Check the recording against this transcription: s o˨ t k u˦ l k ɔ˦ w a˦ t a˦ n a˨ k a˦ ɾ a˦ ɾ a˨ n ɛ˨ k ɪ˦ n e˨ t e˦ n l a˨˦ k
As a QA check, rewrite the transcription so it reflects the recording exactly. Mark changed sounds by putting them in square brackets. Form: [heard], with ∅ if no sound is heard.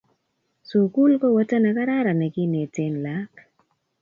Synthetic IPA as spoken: s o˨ [∅] k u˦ l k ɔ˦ w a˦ t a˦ n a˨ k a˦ ɾ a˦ ɾ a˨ n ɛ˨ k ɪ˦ n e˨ t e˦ n l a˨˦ k